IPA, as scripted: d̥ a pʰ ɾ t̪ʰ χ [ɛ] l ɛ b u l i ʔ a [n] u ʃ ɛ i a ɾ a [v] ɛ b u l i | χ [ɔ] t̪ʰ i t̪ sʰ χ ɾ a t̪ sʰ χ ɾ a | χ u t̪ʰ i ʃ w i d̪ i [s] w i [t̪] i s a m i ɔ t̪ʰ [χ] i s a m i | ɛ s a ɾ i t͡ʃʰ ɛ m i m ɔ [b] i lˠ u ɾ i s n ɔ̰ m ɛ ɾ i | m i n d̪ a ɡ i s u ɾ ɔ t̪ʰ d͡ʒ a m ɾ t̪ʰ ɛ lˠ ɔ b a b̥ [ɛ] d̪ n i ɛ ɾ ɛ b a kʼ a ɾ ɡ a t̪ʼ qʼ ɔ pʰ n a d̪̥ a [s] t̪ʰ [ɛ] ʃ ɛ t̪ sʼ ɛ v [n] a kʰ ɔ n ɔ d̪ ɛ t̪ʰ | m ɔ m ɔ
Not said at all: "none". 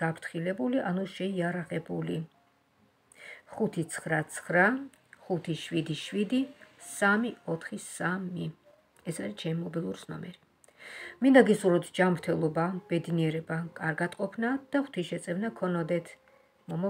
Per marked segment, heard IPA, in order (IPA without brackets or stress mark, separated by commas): i, n, ʁ, u, ʃ, d̪, χ, b, ɛ, χ, i, n